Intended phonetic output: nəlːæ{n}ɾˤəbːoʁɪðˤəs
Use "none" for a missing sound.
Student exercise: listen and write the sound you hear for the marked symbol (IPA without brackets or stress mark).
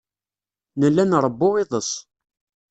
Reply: n